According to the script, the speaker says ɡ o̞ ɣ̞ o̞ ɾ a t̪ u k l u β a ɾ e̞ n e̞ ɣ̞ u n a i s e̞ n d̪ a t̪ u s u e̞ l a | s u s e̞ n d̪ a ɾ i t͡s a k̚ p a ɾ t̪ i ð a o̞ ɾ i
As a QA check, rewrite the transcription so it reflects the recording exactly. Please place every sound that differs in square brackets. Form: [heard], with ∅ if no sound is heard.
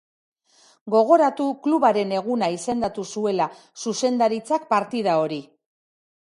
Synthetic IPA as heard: ɡ o̞ ɣ̞ o̞ ɾ a t̪ u k l u β a ɾ e̞ n e̞ ɣ̞ u n a i s e̞ n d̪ a t̪ u s u e̞ l a | s u s e̞ n d̪ a ɾ i t͡s a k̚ p a ɾ t̪ i ð a o̞ ɾ i